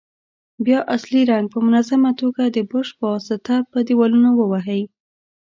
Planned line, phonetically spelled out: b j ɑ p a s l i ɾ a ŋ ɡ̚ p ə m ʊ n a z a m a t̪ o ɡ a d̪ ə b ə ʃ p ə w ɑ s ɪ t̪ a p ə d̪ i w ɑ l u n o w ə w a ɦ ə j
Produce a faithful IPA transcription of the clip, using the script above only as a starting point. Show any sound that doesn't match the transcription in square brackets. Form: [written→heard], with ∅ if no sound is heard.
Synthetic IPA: b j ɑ [p→ʔ] a s l i ɾ a ŋ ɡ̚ p ə m ʊ n a z a m a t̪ o ɡ a d̪ ə b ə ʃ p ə w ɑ s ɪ t̪ a p ə d̪ i w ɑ l u n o w ə w a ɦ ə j